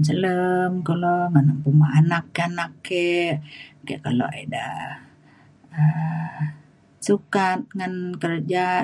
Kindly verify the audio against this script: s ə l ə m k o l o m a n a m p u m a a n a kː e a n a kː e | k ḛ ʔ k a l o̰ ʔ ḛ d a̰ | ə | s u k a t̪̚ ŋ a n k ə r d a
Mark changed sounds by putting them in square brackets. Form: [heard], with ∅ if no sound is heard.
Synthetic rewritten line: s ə l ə m k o l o [ŋ] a n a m p u m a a n a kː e a n a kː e | k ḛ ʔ k a l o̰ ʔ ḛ d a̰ | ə | s u k a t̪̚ ŋ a n k ə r [d͡ʒ] a

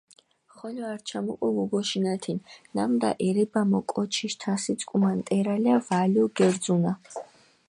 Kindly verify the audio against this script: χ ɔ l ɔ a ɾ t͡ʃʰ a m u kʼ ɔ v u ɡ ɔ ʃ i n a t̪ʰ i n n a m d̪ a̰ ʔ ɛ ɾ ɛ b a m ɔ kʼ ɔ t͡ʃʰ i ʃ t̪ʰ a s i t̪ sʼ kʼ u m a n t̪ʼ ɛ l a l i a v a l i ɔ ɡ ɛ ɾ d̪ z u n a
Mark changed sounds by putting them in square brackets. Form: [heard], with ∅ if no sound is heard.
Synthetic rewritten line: χ ɔ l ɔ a ɾ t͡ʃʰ a m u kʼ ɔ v u ɡ ɔ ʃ i n a t̪ʰ i n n a m d̪ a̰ ʔ ɛ ɾ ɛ b a m ɔ kʼ ɔ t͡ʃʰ i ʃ t̪ʰ a s i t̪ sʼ kʼ u m a n t̪ʼ ɛ [ɾ] a l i a v a l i ɔ ɡ ɛ ɾ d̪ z u n a

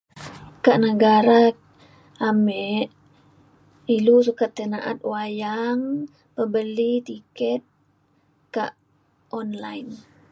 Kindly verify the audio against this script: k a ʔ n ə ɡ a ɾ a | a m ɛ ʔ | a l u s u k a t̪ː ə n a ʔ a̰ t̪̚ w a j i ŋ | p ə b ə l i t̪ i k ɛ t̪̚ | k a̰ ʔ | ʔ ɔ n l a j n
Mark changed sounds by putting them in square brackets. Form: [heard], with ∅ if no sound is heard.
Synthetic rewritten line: k a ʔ n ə ɡ a ɾ a | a m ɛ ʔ | [i] l u s u k a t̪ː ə n a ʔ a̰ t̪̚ w a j [a] ŋ | p ə b ə l i t̪ i k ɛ t̪̚ | k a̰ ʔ | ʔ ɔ n l a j n

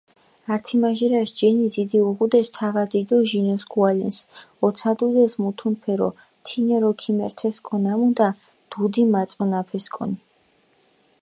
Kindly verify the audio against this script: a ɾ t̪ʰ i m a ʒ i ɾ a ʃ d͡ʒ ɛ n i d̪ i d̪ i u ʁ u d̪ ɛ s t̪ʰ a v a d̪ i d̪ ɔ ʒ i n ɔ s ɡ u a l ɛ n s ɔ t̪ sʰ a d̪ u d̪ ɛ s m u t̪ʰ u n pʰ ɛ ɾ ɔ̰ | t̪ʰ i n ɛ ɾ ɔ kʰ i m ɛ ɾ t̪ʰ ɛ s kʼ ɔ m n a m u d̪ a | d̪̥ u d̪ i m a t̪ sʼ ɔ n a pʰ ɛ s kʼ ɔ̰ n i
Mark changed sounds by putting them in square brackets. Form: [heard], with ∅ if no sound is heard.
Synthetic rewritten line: a ɾ t̪ʰ i m a ʒ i ɾ a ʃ d͡ʒ ɛ n i d̪ i d̪ i u ʁ u d̪ ɛ s t̪ʰ a v a d̪ i d̪ ɔ ʒ i n ɔ s ɡ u a l ɛ n s ɔ t̪ sʰ a d̪ u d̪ ɛ s m u t̪ʰ u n pʰ ɛ ɾ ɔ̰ | t̪ʰ i n ɛ ɾ ɔ kʰ i m ɛ ɾ t̪ʰ ɛ s kʼ ɔ [∅] n a m u d̪ a | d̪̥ u d̪ i m a t̪ sʼ ɔ n a pʰ ɛ s kʼ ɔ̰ n i

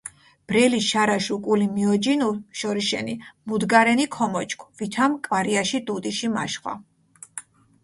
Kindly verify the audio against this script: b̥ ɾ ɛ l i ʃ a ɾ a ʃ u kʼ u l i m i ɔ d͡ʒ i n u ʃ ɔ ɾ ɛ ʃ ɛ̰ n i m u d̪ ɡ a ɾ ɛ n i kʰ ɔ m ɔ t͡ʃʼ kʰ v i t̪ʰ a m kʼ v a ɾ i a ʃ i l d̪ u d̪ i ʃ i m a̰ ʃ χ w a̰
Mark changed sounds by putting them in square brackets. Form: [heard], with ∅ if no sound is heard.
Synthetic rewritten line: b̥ ɾ ɛ l i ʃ a ɾ a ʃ u kʼ u l i m i ɔ d͡ʒ i n u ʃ ɔ ɾ [i] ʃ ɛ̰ n i m u d̪ ɡ a ɾ ɛ n i kʰ ɔ m ɔ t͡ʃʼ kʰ v i t̪ʰ a m kʼ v a ɾ i a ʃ i [∅] d̪ u d̪ i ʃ i m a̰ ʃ χ w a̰

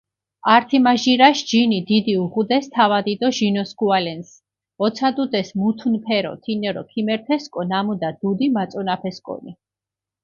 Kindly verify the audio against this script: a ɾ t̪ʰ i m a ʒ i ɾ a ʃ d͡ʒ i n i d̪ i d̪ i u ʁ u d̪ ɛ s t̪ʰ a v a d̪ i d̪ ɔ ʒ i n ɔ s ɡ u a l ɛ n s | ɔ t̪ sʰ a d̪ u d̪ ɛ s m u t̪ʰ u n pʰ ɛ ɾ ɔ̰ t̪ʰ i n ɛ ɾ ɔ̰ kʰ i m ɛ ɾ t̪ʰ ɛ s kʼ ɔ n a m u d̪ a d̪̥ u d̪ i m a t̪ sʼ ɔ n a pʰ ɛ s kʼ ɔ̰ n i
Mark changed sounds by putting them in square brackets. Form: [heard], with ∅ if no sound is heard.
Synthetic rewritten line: a ɾ t̪ʰ i m a ʒ i ɾ a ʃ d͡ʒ i n i d̪ i d̪ i u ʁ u d̪ ɛ s t̪ʰ a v a d̪ i d̪ ɔ ʒ i n ɔ s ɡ u a l ɛ n s | ɔ t̪ sʰ a d̪ u d̪ ɛ s m u t̪ʰ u n pʰ ɛ ɾ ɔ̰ t̪ʰ i n ɛ ɾ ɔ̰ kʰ i m ɛ ɾ t̪ʰ ɛ s kʼ ɔ n a m u d̪ a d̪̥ u d̪ i m a t̪ sʼ ɔ n a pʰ ɛ s kʼ ɔ̰ n i

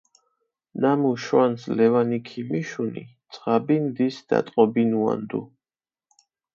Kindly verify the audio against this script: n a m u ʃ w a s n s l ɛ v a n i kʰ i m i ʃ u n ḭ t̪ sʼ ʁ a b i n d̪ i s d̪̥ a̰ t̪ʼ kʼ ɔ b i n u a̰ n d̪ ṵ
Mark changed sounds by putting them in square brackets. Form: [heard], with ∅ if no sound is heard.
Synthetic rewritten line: n a m u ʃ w a [∅] n s l ɛ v a n i kʰ i m i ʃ u n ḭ t̪ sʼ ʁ a b i n d̪ i s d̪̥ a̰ t̪ʼ [qʼ] ɔ b i n u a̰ n d̪ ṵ

